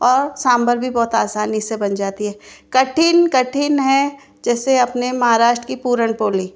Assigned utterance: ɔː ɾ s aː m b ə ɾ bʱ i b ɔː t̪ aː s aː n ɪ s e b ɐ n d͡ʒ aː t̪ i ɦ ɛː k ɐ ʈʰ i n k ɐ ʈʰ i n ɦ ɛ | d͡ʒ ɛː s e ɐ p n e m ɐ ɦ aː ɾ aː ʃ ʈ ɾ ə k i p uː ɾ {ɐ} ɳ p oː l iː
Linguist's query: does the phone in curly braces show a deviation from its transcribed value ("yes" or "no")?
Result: yes